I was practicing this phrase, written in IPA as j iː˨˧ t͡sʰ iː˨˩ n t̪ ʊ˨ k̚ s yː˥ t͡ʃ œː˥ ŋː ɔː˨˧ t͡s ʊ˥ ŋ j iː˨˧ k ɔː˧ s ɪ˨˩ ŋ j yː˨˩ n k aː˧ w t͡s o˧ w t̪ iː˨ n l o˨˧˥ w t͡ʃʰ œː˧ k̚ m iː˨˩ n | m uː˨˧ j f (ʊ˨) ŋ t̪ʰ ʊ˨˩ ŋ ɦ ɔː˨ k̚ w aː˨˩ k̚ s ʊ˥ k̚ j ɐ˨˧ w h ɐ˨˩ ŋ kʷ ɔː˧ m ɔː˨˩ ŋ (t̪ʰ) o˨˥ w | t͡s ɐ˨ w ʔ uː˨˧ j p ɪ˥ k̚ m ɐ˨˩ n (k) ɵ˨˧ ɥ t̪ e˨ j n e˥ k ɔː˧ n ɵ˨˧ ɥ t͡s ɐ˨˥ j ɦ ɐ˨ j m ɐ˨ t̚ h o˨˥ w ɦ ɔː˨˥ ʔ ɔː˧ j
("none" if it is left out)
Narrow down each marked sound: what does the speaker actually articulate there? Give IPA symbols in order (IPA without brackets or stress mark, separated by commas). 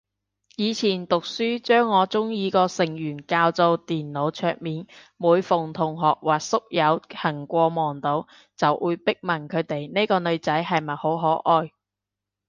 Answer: ʊ˨, t̪, kʰ